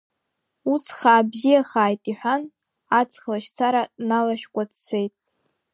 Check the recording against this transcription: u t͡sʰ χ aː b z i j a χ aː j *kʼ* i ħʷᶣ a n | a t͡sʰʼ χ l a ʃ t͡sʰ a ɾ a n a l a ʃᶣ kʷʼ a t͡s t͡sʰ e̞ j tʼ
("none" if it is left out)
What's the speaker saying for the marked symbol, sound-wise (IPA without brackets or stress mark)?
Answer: tʼ